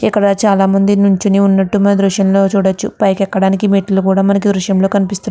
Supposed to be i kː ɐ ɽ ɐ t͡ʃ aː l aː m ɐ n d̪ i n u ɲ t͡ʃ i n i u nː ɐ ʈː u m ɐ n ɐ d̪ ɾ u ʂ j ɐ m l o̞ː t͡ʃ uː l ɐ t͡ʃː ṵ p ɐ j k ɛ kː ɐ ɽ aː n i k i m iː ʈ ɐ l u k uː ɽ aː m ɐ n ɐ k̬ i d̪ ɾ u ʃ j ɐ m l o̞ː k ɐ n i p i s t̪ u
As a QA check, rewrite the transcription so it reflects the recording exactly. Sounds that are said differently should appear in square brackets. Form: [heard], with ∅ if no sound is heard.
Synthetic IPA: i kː ɐ ɽ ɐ t͡ʃ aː l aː m ɐ n d̪ i n u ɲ t͡ʃ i n i u nː ɐ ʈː u m ɐ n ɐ d̪ ɾ u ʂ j ɐ m l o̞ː t͡ʃ uː [ɽ] ɐ t͡ʃː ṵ p ɐ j k ɛ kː ɐ ɽ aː n i k i m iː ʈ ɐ l u k uː ɽ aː m ɐ n ɐ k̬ i d̪ ɾ u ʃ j ɐ m l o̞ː k ɐ n i p i s t̪ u